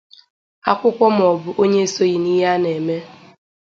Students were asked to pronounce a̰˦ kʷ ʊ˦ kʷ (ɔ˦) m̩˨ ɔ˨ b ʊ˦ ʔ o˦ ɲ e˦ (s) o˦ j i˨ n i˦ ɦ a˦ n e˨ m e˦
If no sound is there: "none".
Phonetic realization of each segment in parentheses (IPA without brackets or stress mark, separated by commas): ɔ˦, s